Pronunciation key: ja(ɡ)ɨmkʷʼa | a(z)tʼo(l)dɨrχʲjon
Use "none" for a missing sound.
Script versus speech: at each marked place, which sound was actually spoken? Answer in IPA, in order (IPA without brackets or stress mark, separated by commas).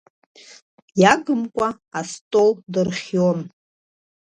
ɡ, s, l